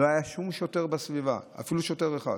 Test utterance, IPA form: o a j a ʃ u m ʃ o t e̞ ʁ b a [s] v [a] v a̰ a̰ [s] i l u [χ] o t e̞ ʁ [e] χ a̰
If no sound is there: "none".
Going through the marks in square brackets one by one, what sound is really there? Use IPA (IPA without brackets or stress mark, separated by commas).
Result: s, i, f, ʃ, e